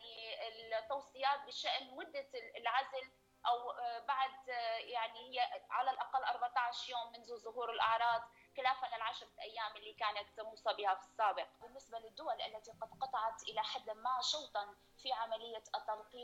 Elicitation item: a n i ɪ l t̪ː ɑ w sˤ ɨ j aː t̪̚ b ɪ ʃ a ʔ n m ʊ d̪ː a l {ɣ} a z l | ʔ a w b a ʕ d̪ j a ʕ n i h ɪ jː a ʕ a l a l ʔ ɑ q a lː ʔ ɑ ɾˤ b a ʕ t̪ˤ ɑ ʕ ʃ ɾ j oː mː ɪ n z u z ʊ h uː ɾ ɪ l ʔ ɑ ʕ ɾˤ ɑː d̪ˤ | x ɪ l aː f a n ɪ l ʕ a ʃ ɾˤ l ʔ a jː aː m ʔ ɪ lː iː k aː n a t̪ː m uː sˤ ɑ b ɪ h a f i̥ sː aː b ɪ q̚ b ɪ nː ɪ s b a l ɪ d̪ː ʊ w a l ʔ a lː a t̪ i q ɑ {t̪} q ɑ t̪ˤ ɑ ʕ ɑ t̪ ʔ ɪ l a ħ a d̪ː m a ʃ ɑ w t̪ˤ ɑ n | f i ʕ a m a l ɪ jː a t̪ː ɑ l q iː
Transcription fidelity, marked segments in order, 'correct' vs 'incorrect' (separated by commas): incorrect, incorrect